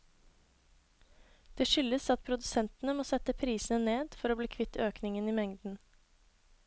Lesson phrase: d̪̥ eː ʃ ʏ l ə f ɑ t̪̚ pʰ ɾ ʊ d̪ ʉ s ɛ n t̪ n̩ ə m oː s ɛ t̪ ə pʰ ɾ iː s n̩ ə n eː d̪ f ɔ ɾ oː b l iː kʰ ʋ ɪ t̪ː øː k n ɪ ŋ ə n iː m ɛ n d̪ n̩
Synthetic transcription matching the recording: d̪̥ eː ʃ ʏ l ə s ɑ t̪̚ pʰ ɾ ʊ d̪ ʉ s ɛ n t̪ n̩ ə m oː s ɛ t̪ ə pʰ ɾ iː s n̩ ə n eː d̪ f ɔ ɾ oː b l iː kʰ ʋ ɪ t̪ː øː k n ɪ ŋ ə n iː m ɛ ŋ d̪ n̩